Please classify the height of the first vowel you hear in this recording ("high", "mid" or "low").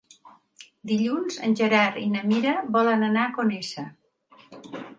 high